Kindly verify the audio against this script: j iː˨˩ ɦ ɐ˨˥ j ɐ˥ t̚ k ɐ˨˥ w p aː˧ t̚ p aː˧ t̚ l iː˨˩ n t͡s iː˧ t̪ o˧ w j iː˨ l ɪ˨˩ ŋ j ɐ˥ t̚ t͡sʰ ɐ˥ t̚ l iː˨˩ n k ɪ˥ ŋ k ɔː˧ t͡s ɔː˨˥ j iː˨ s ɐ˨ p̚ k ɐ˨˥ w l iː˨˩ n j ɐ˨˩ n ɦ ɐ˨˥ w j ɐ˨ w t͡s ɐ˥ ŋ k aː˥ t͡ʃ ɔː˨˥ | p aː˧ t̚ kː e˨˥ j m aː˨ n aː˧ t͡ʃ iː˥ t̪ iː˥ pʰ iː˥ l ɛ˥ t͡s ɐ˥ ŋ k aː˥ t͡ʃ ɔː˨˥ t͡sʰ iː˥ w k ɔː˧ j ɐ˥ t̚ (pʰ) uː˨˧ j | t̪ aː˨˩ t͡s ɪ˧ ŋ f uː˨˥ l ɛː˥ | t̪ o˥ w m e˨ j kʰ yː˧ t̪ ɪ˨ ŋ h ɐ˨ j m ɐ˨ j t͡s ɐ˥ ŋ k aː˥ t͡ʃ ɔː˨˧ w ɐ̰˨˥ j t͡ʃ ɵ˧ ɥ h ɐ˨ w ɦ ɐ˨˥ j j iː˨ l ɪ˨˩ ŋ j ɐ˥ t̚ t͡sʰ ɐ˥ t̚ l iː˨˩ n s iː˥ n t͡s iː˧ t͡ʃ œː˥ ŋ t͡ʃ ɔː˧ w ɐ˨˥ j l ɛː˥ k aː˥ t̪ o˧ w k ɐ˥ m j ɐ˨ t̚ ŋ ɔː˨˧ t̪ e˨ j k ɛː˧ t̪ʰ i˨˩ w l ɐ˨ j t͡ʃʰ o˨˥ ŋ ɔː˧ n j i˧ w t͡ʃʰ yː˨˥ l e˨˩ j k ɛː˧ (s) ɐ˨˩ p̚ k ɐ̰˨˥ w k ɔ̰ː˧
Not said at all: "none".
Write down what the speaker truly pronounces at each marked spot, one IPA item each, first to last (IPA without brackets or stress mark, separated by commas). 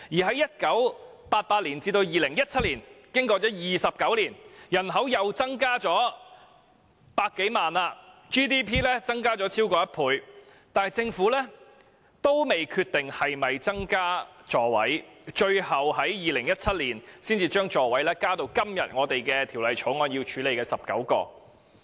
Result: pʰ, s